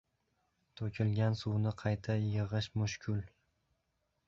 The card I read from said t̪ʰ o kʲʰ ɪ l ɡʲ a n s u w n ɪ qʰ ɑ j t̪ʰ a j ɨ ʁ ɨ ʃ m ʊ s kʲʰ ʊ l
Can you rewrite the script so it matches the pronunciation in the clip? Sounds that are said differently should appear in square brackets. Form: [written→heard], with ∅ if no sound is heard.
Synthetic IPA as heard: t̪ʰ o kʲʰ ɪ l ɡʲ a n s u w n ɪ qʰ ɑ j t̪ʰ a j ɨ ʁ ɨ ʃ m ʊ [s→ʃ] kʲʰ ʊ l